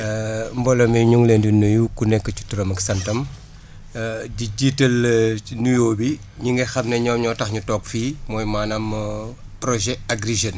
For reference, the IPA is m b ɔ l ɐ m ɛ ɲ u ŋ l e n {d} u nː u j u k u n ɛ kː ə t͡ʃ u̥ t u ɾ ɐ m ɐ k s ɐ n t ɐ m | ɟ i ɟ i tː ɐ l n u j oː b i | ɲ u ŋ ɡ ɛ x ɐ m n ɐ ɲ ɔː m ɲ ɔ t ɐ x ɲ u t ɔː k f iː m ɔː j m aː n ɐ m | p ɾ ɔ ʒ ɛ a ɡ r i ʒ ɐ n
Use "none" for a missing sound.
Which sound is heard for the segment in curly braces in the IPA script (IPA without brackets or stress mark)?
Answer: d